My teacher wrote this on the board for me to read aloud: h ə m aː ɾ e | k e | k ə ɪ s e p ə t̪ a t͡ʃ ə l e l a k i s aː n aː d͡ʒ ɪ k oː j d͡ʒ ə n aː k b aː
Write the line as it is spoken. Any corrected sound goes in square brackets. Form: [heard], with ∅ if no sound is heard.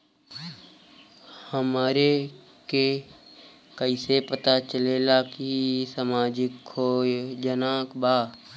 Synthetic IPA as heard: h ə m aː ɾ e | k e | k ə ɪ s e p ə t̪ a t͡ʃ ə l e l a k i s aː [m] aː d͡ʒ ɪ k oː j d͡ʒ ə n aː k b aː